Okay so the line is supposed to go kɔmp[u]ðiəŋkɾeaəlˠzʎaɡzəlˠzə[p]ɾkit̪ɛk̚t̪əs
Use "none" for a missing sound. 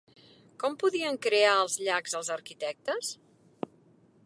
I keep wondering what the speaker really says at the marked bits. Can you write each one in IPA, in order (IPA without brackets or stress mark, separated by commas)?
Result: u, none